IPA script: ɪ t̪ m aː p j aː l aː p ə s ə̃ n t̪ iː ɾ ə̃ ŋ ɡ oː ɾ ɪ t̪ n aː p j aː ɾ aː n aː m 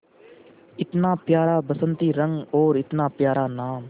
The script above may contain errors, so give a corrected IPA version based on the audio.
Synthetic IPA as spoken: ɪ t̪ n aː p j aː ɾ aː b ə s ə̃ n t̪ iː ɾ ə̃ ŋ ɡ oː ɾ ɪ t̪ n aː p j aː ɾ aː n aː m